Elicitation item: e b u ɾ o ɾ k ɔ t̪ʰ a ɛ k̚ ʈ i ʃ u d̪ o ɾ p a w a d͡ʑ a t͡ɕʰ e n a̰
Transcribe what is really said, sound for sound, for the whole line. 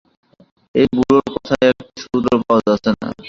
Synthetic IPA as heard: e b u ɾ o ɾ k ɔ t̪ʰ a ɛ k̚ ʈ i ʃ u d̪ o ɾ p a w a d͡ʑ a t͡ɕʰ e n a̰